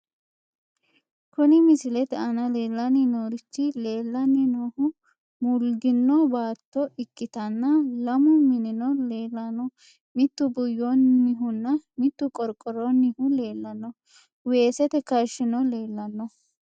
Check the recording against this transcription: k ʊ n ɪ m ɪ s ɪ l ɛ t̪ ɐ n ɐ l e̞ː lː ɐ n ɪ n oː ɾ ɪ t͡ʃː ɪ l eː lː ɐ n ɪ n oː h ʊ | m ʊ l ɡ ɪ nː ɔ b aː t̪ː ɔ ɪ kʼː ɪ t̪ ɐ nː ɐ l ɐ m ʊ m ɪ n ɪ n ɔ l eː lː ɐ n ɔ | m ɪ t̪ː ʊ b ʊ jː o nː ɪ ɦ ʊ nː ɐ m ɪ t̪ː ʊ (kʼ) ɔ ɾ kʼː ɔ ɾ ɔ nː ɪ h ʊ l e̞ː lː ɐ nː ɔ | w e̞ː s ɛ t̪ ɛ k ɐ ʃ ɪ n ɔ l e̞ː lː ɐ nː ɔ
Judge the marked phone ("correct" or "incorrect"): correct